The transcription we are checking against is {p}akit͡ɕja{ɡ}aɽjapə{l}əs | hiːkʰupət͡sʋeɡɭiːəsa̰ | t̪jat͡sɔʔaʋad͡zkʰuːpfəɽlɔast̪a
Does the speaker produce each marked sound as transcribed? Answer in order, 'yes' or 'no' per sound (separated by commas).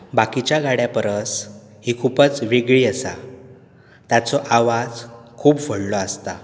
no, yes, no